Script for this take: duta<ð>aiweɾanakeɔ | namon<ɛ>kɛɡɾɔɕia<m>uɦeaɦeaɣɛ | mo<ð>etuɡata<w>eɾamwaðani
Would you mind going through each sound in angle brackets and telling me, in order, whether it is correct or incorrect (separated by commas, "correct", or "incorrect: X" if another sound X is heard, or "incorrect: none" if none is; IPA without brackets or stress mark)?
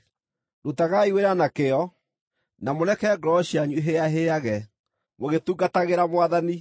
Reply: incorrect: ɣ, correct, incorrect: ɲ, incorrect: ɣ, incorrect: ɣ